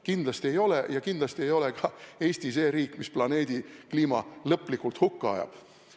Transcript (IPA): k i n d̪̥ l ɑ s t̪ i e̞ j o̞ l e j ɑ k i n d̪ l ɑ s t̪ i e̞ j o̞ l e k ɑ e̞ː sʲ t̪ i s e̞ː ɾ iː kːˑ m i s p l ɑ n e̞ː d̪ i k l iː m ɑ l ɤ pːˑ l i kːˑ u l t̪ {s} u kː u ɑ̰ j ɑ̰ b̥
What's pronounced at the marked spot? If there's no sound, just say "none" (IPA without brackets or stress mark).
h